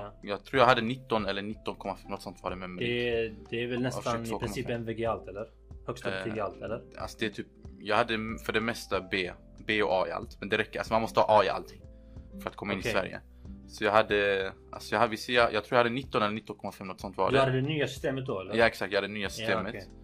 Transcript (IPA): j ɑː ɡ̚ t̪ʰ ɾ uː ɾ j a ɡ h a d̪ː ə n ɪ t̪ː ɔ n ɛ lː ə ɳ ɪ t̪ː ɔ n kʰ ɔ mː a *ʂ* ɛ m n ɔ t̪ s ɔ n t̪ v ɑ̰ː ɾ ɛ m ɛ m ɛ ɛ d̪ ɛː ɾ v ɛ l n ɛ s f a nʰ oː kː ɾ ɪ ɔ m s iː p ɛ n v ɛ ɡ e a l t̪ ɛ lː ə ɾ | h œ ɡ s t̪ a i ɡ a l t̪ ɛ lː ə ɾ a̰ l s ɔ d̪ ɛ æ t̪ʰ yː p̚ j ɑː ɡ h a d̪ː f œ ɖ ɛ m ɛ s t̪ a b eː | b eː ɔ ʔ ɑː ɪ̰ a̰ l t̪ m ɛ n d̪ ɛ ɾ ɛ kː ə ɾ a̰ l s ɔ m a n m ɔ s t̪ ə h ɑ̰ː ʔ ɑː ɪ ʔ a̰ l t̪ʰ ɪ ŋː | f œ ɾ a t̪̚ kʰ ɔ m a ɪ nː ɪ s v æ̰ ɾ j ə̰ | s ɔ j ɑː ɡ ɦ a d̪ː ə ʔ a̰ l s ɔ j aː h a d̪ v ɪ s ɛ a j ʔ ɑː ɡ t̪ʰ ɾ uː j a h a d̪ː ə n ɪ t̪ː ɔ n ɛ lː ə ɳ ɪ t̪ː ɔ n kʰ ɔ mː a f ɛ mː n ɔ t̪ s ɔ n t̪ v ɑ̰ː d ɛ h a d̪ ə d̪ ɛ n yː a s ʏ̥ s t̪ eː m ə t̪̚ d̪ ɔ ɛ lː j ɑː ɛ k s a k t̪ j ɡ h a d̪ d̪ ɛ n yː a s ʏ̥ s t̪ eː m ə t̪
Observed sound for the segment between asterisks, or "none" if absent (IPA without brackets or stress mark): f